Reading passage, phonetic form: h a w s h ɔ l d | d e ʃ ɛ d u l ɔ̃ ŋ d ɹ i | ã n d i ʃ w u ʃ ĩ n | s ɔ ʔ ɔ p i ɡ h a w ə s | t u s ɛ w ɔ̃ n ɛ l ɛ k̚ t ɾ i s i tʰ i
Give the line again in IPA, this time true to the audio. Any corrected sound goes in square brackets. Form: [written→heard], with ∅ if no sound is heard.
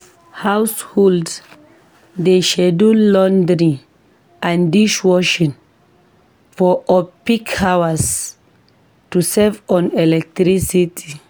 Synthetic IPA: h a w s h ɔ l d | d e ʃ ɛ d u l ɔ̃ [ŋ→n] d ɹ i | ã n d i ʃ w [u→ɔ] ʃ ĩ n | [s→f] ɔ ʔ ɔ p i [ɡ→k] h a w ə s | t u s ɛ [w→v] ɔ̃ n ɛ l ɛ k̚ t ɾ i s i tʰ i